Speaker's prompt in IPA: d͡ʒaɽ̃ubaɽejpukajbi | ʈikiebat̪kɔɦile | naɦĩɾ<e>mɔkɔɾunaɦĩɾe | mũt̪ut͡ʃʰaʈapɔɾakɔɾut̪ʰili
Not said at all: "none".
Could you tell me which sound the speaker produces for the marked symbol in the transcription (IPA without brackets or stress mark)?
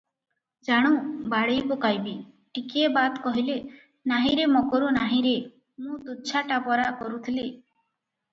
e